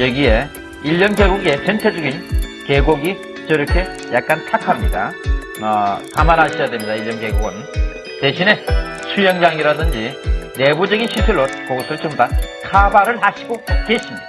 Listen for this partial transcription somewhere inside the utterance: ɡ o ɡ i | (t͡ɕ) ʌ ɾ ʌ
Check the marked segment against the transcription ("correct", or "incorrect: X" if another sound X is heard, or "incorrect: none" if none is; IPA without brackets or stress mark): correct